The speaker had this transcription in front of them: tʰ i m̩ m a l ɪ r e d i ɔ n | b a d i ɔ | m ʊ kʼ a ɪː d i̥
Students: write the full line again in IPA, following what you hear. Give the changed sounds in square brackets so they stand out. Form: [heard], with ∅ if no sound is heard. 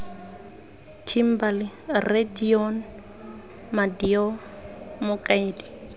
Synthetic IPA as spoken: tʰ i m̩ [b] a l ɪ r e d i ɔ n | [m] a d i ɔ | m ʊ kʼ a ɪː d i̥